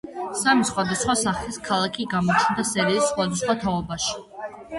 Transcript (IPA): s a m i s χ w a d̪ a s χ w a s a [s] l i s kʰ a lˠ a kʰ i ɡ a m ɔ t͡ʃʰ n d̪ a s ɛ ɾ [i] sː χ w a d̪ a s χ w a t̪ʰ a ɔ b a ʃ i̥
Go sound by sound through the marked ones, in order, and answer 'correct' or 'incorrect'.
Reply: incorrect, incorrect

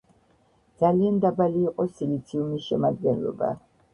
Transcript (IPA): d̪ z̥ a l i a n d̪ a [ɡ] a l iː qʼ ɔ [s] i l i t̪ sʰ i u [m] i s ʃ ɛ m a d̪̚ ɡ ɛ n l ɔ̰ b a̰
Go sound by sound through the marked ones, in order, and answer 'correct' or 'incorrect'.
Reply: incorrect, correct, correct

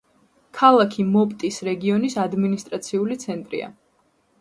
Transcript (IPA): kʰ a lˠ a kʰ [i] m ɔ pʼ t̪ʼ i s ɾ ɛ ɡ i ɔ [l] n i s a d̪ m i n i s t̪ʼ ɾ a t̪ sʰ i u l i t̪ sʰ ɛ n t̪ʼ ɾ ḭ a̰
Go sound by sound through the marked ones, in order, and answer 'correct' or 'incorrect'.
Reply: correct, incorrect

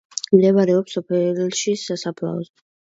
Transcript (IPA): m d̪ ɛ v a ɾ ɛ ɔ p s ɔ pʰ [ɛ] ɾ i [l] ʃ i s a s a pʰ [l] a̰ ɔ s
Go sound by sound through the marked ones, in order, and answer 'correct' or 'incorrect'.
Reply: correct, correct, correct

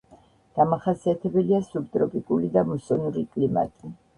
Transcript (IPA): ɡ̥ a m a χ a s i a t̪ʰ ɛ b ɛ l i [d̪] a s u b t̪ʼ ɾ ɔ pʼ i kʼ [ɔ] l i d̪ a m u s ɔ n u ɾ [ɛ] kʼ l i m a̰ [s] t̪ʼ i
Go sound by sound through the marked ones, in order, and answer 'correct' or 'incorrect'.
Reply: incorrect, incorrect, incorrect, incorrect

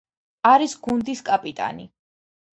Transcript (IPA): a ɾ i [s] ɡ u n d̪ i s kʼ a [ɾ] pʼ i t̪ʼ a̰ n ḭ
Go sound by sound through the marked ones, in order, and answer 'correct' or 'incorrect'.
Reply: correct, incorrect

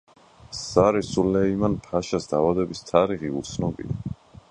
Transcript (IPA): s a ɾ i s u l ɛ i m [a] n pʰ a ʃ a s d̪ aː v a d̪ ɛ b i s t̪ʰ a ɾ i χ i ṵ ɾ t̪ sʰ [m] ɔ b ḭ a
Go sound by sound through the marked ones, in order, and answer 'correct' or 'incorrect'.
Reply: correct, incorrect

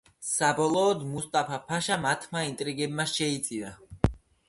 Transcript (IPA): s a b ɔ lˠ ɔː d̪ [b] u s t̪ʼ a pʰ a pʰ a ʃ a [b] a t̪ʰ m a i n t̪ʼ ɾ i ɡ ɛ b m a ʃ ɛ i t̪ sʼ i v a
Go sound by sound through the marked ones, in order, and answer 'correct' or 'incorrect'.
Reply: incorrect, incorrect

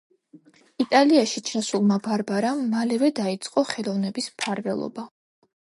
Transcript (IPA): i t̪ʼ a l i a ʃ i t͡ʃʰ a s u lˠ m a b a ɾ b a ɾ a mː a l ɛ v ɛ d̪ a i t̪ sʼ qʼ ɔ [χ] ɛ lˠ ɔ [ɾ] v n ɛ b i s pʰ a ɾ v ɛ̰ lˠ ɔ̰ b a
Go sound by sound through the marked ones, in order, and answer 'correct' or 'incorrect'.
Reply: correct, incorrect

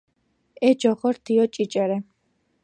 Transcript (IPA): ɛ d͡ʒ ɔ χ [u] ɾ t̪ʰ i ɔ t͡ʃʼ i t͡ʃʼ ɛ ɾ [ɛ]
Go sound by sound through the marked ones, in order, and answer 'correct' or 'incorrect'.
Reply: incorrect, correct

